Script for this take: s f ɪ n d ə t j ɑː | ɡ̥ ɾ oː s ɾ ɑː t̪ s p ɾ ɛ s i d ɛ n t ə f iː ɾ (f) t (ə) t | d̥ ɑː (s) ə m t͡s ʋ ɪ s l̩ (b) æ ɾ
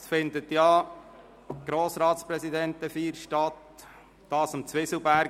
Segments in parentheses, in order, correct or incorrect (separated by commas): incorrect, incorrect, correct, correct